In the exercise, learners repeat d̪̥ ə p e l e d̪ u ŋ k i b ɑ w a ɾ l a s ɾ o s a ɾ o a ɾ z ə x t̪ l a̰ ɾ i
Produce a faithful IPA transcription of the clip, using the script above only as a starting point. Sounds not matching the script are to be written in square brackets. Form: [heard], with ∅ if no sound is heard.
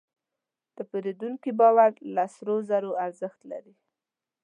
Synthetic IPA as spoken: d̪̥ ə p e [ɾ] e d̪ u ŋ k i b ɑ w a ɾ l a s ɾ o [z] a ɾ o a ɾ z ə x t̪ l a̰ ɾ i